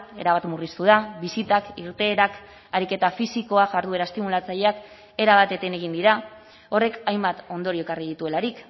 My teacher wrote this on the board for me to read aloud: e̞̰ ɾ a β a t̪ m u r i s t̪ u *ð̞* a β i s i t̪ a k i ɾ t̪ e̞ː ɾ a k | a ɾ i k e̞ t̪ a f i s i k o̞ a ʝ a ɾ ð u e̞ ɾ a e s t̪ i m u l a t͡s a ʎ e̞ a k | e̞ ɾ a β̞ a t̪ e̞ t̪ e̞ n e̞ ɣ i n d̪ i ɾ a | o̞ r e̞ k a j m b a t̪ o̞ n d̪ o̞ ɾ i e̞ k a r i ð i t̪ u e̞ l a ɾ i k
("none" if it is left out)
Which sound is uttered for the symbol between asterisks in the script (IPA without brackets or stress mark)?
ð̞